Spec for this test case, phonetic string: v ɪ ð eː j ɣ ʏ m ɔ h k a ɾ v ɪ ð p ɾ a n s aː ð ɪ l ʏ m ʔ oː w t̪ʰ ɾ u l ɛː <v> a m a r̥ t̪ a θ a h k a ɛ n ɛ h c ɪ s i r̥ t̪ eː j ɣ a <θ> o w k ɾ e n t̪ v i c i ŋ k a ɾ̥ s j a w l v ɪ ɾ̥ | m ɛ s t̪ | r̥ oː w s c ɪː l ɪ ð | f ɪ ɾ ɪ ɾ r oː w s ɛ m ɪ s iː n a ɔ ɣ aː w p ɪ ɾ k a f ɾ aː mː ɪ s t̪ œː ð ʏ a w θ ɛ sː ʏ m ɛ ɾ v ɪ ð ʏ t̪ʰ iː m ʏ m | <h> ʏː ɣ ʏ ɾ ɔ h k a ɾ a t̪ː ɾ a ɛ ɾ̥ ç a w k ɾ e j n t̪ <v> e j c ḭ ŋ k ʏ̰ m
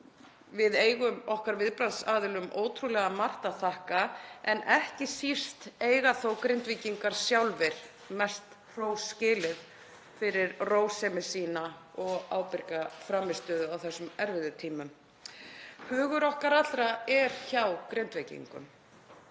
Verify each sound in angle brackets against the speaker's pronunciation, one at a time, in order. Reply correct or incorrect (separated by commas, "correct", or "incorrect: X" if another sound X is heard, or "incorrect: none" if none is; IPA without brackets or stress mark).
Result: incorrect: ɣ, correct, correct, correct